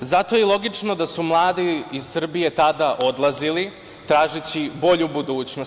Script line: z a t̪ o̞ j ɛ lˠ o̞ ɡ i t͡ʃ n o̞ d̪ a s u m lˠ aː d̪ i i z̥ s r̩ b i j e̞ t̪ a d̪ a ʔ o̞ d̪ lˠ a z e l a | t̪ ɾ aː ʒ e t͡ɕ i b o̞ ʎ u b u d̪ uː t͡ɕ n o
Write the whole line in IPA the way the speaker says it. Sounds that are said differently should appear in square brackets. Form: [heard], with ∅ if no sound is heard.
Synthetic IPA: z a t̪ o̞ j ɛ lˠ o̞ ɡ i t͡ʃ n o̞ d̪ a s u m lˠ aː d̪ i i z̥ s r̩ b i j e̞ t̪ a d̪ a ʔ o̞ d̪ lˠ a z [i] l [i] | t̪ ɾ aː ʒ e t͡ɕ i b o̞ ʎ u b u d̪ uː t͡ɕ n o